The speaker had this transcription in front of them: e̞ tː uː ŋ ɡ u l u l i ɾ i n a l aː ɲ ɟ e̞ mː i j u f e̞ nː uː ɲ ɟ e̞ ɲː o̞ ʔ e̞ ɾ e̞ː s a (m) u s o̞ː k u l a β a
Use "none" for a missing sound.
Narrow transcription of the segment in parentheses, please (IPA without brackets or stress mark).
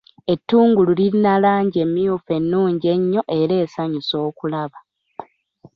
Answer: ɲ